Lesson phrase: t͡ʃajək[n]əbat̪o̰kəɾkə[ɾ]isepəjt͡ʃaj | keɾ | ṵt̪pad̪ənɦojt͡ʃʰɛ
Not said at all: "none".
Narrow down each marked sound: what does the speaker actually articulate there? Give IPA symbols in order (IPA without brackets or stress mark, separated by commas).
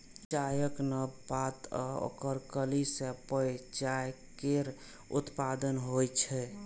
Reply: n, l